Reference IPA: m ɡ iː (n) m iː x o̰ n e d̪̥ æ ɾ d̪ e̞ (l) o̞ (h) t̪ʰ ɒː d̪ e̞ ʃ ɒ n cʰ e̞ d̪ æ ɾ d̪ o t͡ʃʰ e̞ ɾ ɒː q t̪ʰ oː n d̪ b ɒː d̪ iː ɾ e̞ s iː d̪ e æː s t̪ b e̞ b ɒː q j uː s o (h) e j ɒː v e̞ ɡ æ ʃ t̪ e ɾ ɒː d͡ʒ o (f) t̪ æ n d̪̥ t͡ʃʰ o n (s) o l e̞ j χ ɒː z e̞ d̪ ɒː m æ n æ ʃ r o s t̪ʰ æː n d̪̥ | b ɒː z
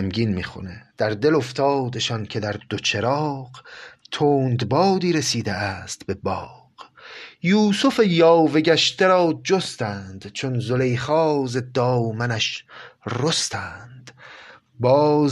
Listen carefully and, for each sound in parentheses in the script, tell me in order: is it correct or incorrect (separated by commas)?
correct, correct, incorrect, incorrect, incorrect, incorrect